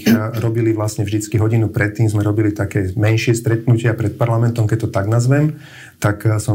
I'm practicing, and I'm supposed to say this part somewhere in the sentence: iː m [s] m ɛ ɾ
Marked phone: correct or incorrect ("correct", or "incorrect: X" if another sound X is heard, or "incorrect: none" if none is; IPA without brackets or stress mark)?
incorrect: z